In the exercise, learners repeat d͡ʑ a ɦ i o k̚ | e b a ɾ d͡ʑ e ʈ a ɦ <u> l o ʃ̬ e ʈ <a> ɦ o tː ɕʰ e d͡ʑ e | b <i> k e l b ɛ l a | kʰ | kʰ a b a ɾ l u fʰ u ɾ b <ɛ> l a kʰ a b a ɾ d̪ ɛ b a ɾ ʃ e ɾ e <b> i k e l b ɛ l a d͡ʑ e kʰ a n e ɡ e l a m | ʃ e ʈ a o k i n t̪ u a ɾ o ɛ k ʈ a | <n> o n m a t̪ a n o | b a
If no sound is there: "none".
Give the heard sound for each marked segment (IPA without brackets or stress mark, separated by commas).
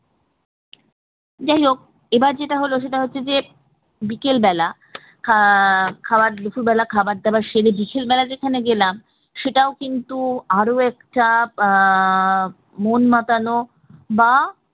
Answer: o, a, i, ɛ, b, m